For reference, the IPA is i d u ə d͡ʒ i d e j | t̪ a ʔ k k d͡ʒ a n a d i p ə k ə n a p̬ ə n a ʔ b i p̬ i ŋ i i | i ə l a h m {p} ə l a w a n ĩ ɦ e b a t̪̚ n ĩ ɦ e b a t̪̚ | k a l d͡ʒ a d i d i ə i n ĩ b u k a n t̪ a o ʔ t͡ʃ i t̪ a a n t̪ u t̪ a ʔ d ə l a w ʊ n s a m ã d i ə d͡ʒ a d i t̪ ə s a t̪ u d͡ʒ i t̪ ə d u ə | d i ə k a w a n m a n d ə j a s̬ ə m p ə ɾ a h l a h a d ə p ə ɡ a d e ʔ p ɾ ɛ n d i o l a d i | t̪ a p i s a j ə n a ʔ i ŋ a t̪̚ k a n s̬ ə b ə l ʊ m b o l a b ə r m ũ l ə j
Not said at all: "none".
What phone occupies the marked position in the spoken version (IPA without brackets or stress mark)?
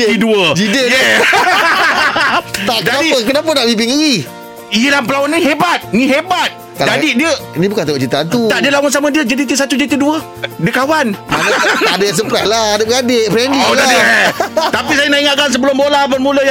p